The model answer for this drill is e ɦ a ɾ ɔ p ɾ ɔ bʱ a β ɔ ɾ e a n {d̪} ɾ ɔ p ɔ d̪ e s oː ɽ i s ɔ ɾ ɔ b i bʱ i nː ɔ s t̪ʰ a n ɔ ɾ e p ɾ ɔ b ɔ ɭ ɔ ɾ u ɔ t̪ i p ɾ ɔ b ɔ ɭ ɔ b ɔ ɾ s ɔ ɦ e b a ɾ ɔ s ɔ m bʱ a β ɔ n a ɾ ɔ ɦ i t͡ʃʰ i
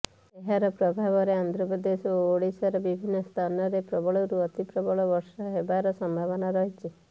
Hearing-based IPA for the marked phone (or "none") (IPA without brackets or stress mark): d̪